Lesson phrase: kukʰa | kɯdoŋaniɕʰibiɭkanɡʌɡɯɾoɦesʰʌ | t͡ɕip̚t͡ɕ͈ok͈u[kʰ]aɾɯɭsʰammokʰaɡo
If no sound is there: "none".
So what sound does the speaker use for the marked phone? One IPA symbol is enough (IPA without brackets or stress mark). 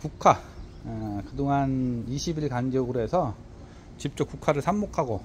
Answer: kʰ